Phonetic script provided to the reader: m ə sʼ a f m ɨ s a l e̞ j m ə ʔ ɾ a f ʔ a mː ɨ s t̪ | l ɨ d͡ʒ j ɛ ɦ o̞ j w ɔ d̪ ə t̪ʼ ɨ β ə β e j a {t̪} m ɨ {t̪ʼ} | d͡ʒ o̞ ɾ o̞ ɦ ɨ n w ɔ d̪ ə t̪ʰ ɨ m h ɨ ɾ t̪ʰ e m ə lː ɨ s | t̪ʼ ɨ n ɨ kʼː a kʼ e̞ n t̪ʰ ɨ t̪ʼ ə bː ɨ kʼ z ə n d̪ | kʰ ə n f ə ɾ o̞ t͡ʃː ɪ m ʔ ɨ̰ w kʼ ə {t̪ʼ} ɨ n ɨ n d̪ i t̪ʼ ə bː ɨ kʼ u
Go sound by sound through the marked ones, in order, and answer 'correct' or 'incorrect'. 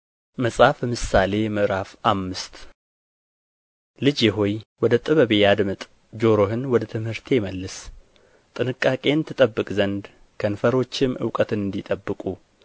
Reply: incorrect: d̪, correct, incorrect: t̪

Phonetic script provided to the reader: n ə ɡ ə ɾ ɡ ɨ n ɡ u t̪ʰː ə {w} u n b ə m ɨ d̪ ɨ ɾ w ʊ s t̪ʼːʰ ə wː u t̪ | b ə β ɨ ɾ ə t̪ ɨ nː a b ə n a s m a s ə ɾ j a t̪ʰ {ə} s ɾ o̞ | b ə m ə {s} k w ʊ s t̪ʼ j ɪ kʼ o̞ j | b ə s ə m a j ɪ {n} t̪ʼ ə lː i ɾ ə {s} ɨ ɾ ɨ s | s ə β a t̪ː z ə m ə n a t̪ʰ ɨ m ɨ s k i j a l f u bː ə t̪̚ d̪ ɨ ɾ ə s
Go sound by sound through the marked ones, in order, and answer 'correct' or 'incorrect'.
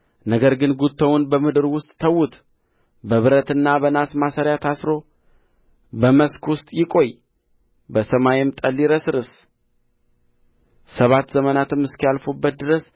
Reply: correct, incorrect: a, correct, incorrect: m, correct

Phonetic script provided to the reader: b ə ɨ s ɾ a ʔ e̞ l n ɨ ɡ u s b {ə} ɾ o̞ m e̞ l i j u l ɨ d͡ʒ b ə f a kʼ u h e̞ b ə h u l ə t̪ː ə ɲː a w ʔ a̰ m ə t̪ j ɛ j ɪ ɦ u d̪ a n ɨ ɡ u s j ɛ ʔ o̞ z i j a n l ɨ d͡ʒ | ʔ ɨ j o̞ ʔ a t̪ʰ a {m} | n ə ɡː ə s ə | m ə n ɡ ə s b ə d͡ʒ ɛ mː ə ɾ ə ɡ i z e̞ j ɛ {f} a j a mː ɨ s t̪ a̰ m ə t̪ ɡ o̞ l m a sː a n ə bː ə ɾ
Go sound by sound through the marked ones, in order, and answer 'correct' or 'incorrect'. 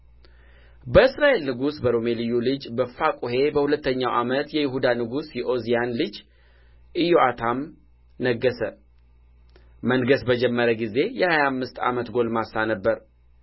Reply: correct, correct, incorrect: h

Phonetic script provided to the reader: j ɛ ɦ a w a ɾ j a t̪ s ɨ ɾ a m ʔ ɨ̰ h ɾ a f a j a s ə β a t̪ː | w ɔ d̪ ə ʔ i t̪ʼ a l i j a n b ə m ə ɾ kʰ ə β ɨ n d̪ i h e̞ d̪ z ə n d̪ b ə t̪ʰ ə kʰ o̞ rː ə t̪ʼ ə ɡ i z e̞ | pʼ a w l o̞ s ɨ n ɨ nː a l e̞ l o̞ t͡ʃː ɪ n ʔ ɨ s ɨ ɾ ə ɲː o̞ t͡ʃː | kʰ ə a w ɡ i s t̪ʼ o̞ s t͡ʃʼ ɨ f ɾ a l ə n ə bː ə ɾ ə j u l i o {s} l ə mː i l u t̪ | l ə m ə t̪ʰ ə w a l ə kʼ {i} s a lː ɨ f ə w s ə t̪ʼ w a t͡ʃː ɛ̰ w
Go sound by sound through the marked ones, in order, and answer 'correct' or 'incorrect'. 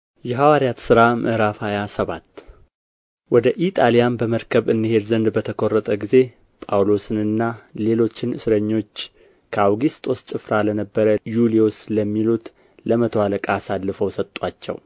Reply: correct, incorrect: a

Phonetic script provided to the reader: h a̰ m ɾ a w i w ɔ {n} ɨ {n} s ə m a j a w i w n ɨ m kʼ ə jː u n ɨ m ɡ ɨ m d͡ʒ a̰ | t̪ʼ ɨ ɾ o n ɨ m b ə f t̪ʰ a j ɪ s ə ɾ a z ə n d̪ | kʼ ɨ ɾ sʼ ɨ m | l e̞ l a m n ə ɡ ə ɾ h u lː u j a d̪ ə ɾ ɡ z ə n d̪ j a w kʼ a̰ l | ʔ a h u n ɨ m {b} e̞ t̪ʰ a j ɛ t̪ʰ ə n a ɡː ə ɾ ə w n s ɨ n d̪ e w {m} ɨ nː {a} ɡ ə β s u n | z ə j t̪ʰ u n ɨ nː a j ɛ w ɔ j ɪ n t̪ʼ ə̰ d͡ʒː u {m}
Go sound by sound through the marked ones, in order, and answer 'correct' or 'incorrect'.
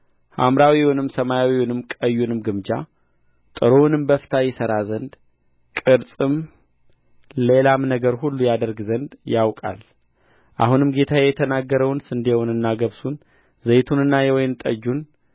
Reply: correct, incorrect: m, incorrect: ɡ, incorrect: n, correct, incorrect: n

